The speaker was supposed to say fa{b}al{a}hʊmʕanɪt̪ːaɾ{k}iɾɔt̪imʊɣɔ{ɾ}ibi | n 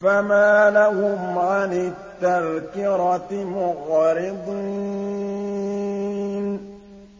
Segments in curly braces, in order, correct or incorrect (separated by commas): incorrect, correct, correct, correct